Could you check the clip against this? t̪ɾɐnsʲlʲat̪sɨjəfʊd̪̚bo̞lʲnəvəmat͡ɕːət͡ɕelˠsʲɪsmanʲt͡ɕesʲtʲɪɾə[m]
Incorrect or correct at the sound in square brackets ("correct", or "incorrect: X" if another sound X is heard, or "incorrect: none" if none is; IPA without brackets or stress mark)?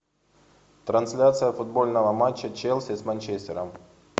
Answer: correct